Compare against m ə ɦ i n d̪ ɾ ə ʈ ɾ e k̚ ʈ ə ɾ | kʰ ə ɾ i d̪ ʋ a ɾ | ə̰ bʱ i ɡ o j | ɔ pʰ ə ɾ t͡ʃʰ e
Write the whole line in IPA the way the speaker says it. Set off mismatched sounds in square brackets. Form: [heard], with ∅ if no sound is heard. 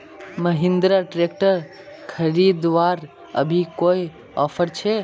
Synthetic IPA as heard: m ə ɦ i n d̪ ɾ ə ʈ ɾ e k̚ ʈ ə ɾ | kʰ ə ɾ i d̪ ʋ a ɾ | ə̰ bʱ i [k] o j | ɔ pʰ ə ɾ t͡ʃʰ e